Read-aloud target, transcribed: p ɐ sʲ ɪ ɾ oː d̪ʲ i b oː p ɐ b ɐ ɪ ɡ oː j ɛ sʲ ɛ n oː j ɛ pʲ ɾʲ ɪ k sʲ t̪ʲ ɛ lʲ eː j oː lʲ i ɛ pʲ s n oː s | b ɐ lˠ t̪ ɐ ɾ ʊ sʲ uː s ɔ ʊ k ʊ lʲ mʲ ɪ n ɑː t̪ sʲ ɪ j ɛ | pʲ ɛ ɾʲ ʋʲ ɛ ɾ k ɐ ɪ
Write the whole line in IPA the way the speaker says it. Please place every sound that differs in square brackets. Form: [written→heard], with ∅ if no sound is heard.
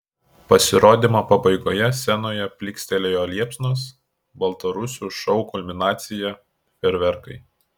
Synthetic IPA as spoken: p ɐ sʲ ɪ ɾ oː d̪ʲ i [b→m] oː p ɐ b ɐ ɪ ɡ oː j ɛ sʲ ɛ n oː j ɛ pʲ [ɾʲ→lʲ] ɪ k sʲ t̪ʲ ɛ lʲ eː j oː lʲ i ɛ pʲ s n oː s | b ɐ lˠ t̪ ɐ ɾ ʊ sʲ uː [s→ʃ] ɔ ʊ k ʊ lʲ mʲ ɪ n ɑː t̪ sʲ ɪ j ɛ | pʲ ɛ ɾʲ ʋʲ ɛ ɾ k ɐ ɪ